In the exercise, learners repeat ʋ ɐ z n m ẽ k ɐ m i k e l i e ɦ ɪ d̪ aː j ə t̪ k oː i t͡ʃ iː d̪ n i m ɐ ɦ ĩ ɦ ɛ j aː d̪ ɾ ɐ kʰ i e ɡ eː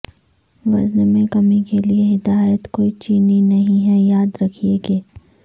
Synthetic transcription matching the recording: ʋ ɐ z n m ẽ k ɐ m i k e l i e ɦ ɪ d̪ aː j ə t̪ k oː i t͡ʃ iː n i n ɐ ɦ ĩ ɦ ɛ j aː d̪ ɾ ɐ kʰ i e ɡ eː